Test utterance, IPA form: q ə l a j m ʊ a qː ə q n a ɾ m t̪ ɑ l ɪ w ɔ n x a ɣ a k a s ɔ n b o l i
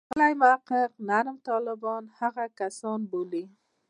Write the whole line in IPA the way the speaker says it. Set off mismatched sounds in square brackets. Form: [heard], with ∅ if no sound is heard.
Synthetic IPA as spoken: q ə l a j m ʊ a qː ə q n a ɾ m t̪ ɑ l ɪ [b] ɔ n [h] a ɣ a k a s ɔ n b o l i